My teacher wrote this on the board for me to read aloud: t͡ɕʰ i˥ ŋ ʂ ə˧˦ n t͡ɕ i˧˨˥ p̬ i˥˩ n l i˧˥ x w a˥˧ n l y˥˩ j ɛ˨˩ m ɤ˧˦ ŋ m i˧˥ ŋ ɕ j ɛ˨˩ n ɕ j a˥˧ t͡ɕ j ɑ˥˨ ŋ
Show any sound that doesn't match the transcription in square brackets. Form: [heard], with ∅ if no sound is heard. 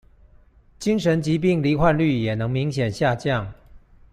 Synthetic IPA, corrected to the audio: [t͡ɕ] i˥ ŋ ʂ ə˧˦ n t͡ɕ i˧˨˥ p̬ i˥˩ [ŋ] l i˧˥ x w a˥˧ n l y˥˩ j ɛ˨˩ [n] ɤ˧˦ ŋ m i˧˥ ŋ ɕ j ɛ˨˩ n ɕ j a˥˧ t͡ɕ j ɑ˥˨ ŋ